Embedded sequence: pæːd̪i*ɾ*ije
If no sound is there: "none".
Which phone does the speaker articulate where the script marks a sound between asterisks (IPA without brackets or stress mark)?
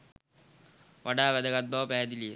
l